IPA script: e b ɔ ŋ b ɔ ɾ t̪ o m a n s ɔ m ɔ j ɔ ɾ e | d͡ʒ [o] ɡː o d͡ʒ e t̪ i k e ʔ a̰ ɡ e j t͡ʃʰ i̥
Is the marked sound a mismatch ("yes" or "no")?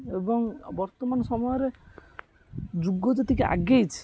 yes